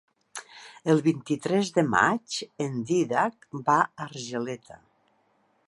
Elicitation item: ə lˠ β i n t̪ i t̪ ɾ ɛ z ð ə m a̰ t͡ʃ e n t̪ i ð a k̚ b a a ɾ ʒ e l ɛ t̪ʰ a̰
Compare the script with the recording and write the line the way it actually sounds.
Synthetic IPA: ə lˠ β i n t̪ i t̪ ɾ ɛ z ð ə m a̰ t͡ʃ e n d̪ i ð a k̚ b a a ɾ ʒ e l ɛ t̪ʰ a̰